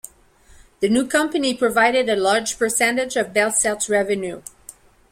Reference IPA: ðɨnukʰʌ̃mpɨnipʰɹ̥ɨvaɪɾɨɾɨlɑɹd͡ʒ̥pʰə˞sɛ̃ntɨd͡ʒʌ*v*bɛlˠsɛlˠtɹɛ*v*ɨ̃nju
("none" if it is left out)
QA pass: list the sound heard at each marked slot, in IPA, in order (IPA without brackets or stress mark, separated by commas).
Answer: v, v